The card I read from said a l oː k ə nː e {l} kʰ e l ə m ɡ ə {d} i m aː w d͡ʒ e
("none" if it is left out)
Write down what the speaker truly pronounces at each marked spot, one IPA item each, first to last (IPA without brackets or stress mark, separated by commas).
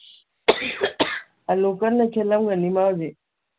none, n